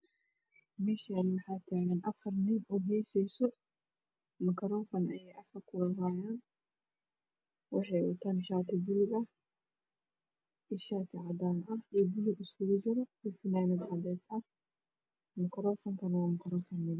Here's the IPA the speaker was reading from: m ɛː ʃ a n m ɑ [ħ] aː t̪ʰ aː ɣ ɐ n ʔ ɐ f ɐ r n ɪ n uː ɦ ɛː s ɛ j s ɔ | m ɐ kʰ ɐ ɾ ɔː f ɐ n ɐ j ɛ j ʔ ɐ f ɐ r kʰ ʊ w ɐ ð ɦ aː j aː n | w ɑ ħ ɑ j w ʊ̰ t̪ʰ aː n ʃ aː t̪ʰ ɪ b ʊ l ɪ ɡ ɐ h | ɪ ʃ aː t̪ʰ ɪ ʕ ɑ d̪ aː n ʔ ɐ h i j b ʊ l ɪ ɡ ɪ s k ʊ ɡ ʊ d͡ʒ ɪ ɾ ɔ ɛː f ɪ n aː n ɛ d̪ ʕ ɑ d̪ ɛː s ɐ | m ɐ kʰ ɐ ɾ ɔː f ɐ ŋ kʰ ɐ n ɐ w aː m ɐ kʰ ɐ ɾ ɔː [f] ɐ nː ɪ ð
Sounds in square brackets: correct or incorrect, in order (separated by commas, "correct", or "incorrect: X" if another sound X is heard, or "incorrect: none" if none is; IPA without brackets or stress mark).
correct, correct